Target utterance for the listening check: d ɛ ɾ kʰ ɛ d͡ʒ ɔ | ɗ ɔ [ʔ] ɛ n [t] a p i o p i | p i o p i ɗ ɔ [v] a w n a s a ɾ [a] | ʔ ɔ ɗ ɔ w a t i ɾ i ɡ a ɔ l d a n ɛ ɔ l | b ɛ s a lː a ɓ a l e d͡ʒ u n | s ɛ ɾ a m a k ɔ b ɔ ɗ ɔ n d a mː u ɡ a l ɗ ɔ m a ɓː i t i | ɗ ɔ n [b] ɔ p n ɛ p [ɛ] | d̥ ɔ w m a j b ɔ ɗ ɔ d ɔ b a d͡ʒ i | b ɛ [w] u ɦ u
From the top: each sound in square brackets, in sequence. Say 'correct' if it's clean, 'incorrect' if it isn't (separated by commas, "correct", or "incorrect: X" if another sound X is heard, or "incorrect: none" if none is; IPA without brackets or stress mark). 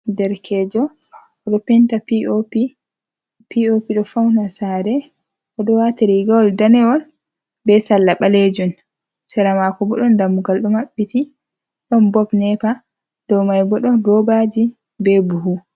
incorrect: p, correct, incorrect: f, incorrect: ɛ, correct, incorrect: a, incorrect: b